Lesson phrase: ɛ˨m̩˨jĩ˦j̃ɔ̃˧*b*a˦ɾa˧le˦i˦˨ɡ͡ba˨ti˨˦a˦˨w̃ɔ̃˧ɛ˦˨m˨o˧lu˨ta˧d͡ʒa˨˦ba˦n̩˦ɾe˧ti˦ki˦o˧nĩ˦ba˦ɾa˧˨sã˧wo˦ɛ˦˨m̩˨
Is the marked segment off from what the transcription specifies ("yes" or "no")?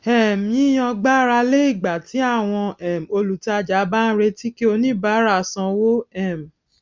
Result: yes